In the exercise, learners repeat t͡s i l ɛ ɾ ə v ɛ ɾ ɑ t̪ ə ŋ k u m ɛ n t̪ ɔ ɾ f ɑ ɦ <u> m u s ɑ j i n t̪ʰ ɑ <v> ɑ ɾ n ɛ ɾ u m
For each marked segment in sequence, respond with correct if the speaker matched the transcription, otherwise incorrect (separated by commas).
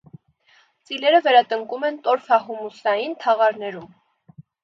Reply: correct, incorrect